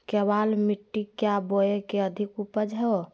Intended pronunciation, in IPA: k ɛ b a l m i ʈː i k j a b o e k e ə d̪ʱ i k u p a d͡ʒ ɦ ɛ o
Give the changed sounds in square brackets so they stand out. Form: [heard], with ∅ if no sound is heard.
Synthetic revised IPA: k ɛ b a l m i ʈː i k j a b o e k e ə d̪ʱ i k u p [ə] d͡ʒ ɦ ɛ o